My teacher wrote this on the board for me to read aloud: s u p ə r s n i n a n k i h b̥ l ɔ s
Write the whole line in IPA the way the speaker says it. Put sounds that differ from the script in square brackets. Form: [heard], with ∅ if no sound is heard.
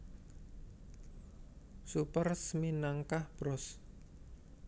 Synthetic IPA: s u p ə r s [m] i n a [ŋ] k [a] h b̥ [ɾ] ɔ s